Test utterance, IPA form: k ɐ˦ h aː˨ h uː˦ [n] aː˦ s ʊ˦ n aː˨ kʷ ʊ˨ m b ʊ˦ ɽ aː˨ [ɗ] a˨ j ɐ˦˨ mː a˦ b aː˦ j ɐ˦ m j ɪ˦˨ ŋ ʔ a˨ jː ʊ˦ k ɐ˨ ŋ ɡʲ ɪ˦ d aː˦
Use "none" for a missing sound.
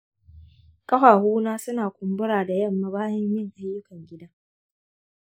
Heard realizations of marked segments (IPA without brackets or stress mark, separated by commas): n, d